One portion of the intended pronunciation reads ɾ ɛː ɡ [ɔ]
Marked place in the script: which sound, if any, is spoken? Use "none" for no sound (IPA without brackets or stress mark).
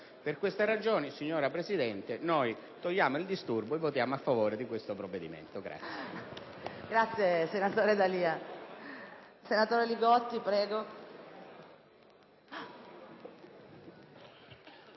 o